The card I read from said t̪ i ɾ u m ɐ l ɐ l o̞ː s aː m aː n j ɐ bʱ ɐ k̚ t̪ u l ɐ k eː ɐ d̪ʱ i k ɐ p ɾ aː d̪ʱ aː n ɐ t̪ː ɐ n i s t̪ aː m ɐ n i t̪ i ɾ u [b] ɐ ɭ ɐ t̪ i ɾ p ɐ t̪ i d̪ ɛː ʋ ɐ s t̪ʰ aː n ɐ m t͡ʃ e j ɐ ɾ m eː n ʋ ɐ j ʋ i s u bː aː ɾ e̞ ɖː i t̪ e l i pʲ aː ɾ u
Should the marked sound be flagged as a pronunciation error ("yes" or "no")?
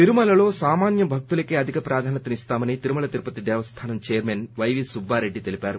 yes